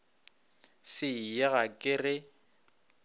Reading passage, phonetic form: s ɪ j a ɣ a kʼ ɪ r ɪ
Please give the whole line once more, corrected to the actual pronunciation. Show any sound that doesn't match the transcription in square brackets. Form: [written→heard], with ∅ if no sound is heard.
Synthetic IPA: s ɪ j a ɣ a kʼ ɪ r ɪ